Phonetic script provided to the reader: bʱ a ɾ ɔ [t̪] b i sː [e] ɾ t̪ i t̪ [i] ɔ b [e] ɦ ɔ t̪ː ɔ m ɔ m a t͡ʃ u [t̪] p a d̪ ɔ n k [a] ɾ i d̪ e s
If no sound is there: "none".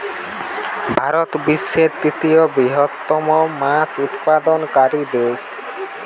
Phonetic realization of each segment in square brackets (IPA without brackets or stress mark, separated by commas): t̪, e, i, i, t̪, a